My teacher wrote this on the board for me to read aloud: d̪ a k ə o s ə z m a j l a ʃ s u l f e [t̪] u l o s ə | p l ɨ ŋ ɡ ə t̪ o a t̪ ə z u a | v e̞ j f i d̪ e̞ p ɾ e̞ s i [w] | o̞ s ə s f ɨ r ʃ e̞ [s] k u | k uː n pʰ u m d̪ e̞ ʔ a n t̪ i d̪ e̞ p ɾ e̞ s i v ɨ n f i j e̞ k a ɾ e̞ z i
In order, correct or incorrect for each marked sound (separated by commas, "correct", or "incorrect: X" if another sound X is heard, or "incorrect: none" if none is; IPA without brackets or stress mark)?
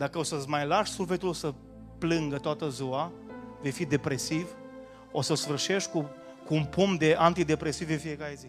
correct, incorrect: v, incorrect: ʃ